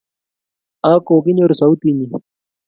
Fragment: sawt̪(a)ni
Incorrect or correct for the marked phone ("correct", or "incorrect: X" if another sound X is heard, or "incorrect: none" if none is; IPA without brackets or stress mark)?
incorrect: i